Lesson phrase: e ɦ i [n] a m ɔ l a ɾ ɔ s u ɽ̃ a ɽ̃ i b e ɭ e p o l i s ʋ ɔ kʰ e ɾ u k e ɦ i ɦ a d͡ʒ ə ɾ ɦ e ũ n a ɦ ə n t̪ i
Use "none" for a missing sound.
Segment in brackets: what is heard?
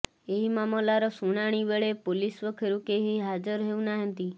m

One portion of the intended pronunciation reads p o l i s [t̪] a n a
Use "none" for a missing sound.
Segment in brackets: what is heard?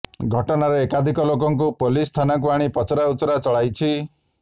t̪ʰ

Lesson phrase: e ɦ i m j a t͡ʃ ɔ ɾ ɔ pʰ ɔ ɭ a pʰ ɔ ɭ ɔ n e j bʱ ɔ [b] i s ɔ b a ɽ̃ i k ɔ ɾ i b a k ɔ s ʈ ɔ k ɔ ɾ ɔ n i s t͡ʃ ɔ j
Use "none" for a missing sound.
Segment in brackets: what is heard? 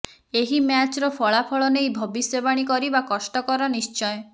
b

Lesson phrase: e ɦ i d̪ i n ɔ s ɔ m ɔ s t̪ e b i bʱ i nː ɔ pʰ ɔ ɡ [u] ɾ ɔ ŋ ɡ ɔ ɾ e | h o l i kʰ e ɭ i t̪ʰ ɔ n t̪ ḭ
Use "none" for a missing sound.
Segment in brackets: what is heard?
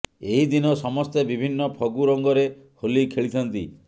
u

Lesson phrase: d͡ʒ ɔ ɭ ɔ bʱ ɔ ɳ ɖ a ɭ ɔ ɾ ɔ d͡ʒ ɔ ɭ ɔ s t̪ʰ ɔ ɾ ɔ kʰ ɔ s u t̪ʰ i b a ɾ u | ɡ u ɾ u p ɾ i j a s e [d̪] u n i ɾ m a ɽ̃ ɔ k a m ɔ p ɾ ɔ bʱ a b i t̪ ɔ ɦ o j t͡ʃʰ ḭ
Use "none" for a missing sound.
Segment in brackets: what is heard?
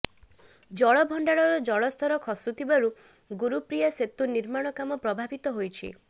t̪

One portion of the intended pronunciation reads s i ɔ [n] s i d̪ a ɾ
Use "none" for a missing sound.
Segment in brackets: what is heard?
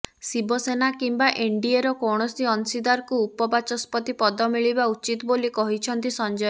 n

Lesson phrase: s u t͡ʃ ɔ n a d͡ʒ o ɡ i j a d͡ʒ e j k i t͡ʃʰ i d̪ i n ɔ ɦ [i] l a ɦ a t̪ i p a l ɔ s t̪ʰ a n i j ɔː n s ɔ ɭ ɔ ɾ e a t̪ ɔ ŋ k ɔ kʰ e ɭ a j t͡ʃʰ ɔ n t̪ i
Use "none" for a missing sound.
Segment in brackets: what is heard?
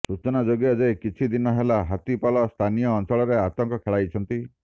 e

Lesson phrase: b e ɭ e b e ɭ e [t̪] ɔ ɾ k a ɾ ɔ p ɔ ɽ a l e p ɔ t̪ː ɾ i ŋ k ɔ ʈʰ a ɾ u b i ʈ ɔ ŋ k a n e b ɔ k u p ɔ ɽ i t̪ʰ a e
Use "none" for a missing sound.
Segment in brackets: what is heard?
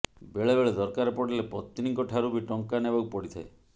d̪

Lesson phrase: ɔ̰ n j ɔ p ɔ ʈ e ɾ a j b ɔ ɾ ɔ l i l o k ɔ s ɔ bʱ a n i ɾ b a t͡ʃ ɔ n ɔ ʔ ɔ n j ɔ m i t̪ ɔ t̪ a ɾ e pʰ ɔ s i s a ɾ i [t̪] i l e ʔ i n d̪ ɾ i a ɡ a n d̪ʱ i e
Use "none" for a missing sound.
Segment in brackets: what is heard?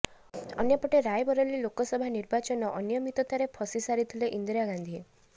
t̪ʰ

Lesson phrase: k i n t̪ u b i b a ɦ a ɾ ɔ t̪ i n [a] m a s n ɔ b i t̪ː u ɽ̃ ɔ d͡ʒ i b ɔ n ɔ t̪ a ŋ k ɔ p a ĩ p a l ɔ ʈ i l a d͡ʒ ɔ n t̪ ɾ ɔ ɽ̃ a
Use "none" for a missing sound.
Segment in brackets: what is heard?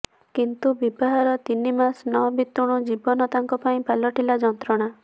i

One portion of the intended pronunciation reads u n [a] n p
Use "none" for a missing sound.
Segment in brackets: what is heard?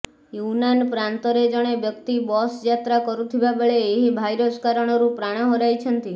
a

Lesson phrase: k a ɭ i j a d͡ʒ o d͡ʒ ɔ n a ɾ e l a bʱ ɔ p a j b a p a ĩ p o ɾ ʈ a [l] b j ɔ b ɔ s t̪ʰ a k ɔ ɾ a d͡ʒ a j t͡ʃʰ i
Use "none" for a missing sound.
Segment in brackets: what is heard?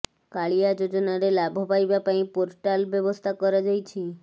l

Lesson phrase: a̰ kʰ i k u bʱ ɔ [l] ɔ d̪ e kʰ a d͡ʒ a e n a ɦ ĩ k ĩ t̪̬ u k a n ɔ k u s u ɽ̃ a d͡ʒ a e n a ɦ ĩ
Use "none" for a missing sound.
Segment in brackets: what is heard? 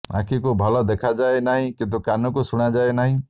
l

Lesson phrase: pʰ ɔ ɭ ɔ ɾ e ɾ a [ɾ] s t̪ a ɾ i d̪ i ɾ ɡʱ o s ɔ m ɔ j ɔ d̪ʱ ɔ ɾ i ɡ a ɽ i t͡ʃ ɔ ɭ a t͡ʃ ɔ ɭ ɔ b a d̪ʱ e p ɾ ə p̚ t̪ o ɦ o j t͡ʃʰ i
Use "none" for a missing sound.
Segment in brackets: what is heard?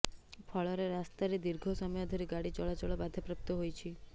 none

